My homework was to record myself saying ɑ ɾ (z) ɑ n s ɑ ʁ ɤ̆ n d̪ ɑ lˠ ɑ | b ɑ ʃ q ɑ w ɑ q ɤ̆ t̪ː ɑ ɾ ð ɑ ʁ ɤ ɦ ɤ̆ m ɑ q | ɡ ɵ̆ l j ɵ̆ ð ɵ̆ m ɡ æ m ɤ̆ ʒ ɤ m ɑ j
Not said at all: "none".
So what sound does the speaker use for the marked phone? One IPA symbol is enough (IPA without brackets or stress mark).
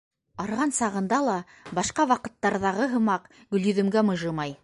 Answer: ʁ